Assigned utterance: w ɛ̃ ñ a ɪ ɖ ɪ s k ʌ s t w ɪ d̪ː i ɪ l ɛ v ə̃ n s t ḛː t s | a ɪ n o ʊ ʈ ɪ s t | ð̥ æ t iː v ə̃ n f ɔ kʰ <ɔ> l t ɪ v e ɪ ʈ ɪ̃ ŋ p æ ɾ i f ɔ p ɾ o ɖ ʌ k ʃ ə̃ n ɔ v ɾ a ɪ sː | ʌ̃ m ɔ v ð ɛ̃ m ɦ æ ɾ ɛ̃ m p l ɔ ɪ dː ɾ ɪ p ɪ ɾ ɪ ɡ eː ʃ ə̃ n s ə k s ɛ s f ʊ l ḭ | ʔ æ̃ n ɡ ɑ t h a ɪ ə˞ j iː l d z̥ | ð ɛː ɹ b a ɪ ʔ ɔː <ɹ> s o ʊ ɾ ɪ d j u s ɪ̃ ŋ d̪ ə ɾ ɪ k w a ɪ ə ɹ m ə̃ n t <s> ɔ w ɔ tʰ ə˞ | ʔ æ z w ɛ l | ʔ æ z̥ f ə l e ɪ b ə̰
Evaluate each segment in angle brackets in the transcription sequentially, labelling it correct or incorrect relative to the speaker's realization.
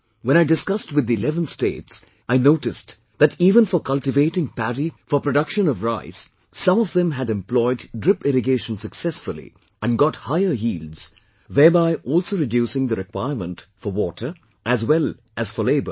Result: incorrect: ʌ, incorrect: l, incorrect: f

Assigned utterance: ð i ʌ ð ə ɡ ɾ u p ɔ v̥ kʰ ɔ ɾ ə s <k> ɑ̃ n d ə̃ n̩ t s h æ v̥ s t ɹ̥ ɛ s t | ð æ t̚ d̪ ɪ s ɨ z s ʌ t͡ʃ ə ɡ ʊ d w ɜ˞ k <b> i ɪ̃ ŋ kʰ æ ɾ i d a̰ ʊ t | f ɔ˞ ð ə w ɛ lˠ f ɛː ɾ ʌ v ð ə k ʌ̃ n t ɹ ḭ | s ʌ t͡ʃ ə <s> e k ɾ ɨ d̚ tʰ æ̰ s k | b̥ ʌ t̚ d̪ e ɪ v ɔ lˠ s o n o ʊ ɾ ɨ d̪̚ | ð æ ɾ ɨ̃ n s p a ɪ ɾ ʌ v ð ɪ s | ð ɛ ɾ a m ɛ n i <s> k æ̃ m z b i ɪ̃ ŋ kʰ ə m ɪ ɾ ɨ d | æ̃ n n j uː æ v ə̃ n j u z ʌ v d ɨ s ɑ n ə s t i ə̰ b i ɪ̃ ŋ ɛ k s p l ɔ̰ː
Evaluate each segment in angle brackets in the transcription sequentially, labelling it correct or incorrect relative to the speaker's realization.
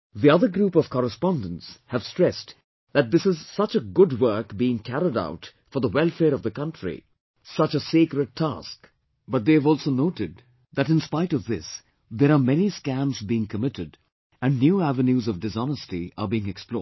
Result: incorrect: p, correct, correct, correct

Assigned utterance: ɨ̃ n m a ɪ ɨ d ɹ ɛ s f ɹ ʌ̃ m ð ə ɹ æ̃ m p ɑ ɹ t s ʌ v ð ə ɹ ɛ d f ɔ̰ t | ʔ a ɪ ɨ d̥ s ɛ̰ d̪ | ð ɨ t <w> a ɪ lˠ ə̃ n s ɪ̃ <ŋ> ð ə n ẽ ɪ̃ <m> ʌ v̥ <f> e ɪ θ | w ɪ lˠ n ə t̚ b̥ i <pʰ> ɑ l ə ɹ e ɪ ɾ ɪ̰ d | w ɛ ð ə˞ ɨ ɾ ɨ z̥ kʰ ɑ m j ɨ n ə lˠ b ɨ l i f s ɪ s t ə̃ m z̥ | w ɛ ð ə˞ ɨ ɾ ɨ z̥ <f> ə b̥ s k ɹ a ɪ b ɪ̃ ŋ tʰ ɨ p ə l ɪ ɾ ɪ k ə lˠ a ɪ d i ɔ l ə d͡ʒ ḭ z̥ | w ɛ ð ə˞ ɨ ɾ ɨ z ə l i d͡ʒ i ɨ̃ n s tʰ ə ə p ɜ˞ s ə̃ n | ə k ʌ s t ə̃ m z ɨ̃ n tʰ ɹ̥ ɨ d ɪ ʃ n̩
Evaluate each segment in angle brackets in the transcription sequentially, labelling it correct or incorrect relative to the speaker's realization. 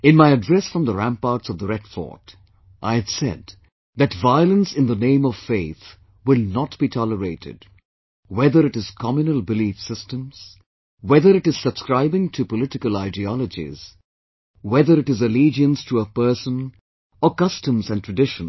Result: incorrect: v, incorrect: n, correct, correct, incorrect: tʰ, incorrect: s

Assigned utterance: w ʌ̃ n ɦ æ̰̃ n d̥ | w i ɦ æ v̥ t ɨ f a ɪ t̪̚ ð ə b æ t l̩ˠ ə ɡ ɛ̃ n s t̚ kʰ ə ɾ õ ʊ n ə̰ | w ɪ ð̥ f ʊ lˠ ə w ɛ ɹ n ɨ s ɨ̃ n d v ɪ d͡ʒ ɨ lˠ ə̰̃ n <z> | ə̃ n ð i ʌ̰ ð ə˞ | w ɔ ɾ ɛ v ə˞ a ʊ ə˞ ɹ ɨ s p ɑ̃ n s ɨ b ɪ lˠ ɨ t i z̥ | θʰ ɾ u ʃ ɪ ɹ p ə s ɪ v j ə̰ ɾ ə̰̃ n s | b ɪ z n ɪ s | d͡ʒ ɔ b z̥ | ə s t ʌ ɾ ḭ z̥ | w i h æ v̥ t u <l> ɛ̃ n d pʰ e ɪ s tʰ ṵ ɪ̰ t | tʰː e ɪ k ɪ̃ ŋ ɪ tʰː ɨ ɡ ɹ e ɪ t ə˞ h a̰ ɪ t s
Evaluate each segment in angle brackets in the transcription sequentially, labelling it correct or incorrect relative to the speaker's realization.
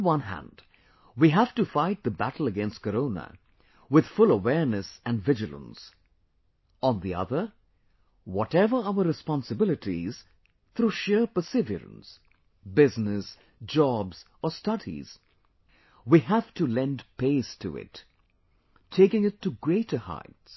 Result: incorrect: s, correct

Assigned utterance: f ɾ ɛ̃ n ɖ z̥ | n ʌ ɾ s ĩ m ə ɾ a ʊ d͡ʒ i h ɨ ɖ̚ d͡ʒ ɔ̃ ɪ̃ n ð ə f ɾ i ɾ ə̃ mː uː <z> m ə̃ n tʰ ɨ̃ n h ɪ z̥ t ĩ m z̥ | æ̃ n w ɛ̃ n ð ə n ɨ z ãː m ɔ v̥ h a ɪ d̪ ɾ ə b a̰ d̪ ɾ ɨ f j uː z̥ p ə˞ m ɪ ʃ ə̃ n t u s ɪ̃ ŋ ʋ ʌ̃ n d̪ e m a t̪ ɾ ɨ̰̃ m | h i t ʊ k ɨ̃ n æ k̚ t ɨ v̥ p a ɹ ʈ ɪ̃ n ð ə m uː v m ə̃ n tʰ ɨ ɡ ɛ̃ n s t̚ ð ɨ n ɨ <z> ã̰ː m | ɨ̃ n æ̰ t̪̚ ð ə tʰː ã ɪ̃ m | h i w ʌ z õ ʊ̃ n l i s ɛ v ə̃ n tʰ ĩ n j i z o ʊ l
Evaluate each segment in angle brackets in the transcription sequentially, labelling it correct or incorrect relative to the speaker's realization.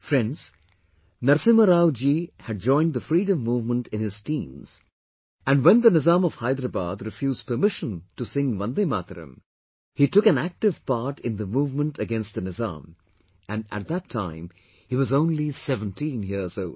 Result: incorrect: v, correct

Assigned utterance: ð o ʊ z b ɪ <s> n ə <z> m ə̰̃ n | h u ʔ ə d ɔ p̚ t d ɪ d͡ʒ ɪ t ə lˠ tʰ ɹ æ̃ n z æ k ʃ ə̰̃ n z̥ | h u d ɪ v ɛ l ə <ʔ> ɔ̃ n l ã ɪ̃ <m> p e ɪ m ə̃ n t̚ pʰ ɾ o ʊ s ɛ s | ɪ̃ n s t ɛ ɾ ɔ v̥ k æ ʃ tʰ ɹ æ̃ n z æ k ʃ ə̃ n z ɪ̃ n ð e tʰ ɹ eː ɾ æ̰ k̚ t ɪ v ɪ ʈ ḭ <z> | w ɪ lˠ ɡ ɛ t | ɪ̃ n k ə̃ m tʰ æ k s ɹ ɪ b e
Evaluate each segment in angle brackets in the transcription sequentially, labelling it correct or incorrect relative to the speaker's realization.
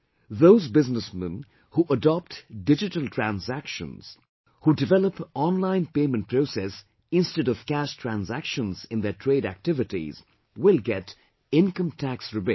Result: incorrect: z, incorrect: s, incorrect: p, incorrect: n, correct

